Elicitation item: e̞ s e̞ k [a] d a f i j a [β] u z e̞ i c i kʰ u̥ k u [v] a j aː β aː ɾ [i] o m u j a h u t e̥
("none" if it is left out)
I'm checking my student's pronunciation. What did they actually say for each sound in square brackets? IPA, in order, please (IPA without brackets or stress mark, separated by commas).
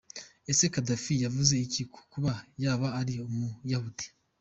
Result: a, v, β, i